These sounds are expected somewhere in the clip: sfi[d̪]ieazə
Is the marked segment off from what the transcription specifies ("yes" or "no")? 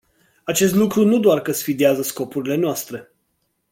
no